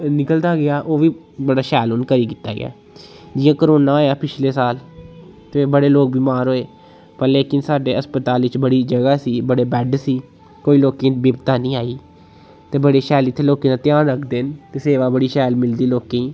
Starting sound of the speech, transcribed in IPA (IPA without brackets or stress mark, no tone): n